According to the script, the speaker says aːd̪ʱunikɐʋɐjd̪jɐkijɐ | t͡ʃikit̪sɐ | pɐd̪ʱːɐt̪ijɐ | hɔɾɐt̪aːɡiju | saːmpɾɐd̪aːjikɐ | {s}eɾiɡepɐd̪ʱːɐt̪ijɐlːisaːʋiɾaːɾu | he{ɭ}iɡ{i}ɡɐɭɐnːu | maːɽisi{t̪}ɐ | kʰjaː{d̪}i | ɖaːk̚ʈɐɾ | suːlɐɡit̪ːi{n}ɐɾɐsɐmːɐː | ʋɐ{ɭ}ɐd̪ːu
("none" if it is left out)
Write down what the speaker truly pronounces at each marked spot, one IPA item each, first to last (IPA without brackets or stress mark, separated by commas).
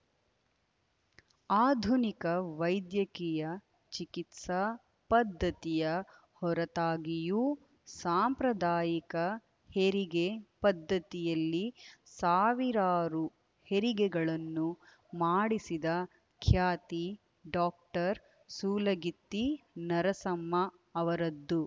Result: h, ɾ, ɛ, d̪, t̪, n, ɾ